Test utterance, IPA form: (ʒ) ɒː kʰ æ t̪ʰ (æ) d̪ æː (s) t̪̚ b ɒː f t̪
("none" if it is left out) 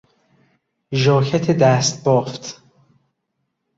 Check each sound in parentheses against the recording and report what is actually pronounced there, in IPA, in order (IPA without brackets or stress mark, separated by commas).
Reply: ʒ, e, s